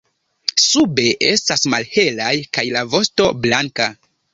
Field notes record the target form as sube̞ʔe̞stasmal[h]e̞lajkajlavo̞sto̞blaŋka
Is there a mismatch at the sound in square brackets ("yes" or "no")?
no